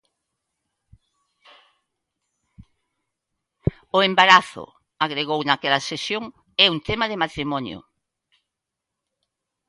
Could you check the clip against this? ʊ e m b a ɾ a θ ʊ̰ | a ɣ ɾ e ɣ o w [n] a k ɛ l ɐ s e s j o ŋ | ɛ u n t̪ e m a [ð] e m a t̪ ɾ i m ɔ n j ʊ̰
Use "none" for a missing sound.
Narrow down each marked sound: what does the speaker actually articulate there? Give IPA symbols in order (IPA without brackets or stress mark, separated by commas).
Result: n, ð